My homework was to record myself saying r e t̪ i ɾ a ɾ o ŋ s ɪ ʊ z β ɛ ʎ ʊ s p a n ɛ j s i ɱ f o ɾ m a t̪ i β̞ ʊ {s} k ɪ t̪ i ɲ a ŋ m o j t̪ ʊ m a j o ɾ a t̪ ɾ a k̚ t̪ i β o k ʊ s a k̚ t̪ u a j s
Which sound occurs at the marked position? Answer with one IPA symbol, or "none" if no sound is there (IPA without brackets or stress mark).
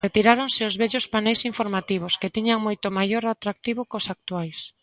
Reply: s